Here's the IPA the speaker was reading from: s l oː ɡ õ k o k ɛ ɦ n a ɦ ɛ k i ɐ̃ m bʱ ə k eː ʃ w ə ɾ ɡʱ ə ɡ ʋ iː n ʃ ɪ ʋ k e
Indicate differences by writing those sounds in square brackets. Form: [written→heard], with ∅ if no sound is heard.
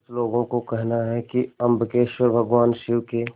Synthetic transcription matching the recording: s l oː ɡ õ k o k ɛ ɦ n a ɦ ɛ k i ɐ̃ m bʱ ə k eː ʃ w ə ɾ [ɡʱ→bʱ] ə ɡ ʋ [iː→aː] n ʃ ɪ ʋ k e